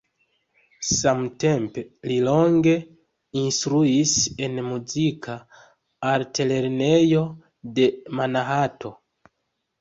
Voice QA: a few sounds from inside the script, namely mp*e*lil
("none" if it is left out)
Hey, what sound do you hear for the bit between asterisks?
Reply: e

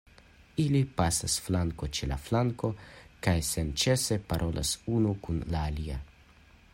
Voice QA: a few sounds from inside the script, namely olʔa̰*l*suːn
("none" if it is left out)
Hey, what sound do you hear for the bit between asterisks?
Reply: none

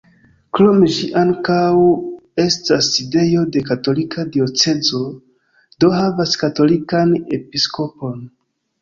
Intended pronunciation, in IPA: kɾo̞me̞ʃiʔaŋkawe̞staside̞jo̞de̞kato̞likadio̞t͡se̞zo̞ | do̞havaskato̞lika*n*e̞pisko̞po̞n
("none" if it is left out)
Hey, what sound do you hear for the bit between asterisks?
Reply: n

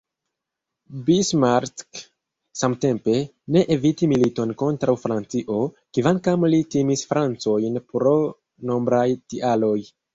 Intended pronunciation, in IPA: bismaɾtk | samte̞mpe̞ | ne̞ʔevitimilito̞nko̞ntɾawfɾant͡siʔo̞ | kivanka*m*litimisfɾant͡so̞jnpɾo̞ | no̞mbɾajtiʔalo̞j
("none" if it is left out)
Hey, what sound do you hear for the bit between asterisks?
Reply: m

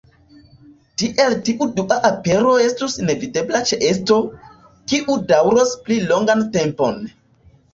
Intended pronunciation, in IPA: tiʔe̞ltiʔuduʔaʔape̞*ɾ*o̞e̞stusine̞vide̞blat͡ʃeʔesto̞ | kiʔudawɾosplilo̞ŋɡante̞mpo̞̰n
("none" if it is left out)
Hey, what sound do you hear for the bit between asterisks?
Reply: ɾ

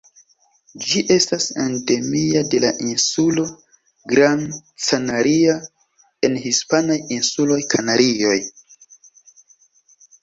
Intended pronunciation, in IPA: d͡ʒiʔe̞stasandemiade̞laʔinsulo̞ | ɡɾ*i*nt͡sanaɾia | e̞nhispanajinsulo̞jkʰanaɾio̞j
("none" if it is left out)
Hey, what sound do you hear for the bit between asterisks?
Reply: a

